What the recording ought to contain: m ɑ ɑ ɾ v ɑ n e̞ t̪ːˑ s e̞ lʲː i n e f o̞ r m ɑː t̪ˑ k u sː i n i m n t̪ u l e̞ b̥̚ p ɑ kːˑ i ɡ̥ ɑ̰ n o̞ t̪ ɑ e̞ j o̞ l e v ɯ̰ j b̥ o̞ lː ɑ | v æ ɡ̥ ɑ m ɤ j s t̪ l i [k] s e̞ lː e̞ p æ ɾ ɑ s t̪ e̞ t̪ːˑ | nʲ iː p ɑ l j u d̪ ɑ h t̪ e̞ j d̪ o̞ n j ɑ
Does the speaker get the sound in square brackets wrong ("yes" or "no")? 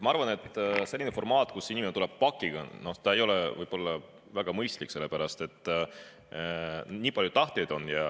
no